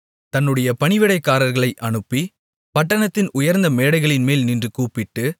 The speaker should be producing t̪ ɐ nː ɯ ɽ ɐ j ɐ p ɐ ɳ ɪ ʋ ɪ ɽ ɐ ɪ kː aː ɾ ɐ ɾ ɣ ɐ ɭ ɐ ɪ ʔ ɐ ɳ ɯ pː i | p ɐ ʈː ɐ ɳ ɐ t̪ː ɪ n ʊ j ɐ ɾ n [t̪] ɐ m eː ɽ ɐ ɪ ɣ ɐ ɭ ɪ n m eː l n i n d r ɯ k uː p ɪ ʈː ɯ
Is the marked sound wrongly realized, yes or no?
yes